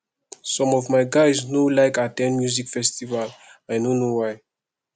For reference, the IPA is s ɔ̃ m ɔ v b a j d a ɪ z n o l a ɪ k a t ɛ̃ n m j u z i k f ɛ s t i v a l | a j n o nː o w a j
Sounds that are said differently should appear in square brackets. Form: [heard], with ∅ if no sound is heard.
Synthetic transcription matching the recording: s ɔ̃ m ɔ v [m] a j [ɡ] a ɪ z n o l a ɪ k a t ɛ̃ n m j u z i k f ɛ s t i v a l | a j n o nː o w a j